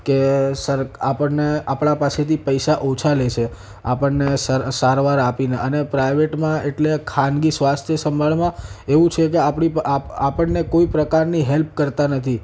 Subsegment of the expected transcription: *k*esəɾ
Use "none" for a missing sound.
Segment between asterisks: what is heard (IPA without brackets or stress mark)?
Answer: k